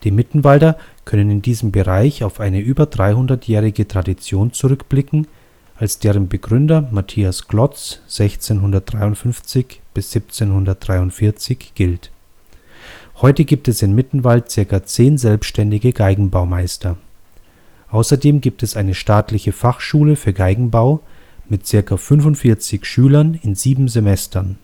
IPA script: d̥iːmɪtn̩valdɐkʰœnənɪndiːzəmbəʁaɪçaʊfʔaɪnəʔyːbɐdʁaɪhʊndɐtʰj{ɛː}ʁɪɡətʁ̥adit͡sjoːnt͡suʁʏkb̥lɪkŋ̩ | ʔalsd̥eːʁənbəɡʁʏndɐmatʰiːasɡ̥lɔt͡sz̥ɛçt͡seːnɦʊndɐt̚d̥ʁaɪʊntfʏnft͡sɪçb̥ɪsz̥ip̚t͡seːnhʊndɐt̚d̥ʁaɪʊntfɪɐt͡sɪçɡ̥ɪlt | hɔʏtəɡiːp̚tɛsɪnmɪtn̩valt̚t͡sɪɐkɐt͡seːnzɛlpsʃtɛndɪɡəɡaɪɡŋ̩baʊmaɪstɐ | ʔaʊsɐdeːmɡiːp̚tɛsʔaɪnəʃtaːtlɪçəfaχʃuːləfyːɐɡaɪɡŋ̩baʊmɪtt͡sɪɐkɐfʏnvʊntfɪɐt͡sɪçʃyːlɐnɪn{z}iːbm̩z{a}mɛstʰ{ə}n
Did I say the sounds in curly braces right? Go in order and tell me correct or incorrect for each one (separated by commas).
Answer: correct, correct, incorrect, incorrect